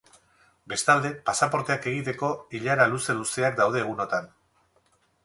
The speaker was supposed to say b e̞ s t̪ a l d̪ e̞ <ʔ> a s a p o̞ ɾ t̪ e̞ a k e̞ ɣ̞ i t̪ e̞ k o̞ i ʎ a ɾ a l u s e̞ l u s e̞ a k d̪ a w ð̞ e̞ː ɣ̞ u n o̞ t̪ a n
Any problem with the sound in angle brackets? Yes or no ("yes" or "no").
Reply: yes